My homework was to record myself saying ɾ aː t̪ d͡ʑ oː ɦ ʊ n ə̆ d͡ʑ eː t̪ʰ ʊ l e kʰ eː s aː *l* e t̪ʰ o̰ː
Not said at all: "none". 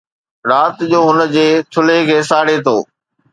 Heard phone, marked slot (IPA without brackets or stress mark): ɽ